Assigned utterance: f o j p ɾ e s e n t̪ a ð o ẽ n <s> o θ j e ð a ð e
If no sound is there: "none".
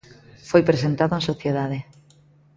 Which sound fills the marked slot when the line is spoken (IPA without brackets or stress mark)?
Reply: s